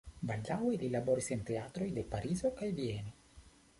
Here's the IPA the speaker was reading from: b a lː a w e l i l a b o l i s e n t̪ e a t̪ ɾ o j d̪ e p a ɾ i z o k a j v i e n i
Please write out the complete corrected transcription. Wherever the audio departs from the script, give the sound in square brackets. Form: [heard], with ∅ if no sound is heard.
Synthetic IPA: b a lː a w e l i l a b o [ɾ] i s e n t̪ e a t̪ ɾ o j d̪ e p a ɾ i z o k a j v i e n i